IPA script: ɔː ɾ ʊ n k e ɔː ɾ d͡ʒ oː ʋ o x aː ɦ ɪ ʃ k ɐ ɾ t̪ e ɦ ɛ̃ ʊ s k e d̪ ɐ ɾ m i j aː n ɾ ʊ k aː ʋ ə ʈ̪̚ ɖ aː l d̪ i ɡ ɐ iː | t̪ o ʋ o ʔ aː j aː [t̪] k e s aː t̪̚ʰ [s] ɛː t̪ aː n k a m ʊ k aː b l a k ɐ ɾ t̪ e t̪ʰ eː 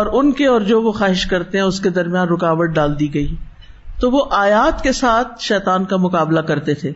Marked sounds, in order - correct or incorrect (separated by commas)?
correct, incorrect